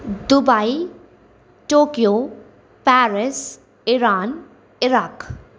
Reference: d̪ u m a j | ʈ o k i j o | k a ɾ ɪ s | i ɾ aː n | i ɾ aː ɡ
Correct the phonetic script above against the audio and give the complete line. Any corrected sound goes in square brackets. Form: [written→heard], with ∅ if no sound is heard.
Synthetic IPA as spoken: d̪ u [m→b] a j | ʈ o k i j o | [k→p] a ɾ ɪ s | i ɾ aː n | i ɾ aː [ɡ→k]